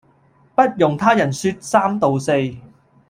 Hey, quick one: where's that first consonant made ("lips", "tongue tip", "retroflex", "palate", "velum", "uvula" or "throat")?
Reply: lips